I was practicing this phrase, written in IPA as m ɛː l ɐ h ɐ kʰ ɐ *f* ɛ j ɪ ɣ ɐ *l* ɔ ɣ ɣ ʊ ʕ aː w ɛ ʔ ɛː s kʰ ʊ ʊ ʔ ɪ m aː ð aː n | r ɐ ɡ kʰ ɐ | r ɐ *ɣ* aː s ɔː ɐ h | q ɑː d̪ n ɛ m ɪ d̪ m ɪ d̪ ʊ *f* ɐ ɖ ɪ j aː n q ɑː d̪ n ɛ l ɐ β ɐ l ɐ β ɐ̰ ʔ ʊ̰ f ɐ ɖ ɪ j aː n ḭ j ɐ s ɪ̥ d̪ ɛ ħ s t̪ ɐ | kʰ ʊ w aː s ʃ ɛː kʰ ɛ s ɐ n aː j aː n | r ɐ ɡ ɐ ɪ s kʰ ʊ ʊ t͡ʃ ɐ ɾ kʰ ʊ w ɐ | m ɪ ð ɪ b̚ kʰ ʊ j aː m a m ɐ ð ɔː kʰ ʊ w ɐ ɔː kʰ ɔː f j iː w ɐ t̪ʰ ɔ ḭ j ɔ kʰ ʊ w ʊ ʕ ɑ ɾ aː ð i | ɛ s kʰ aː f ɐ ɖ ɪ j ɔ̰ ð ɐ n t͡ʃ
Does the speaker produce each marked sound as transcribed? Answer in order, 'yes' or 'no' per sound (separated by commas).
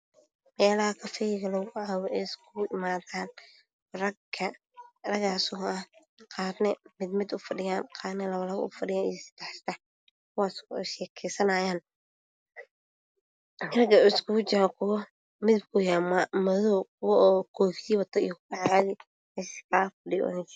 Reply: yes, yes, yes, yes